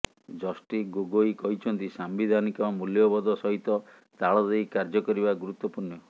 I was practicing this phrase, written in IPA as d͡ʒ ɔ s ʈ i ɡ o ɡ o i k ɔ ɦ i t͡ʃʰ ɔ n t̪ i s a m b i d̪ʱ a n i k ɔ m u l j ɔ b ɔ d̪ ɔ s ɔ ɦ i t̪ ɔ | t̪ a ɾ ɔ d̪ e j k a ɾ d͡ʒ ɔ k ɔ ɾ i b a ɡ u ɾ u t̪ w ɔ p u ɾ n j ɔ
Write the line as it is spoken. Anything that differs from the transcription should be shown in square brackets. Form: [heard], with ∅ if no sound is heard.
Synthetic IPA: d͡ʒ ɔ s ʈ i ɡ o ɡ o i k ɔ ɦ i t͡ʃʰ ɔ n t̪ i s a m b i d̪ʱ a n i k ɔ m u l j ɔ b ɔ d̪ ɔ s ɔ ɦ i t̪ ɔ | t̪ a [ɭ] ɔ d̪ e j k a ɾ d͡ʒ ɔ k ɔ ɾ i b a ɡ u ɾ u t̪ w ɔ p u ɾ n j ɔ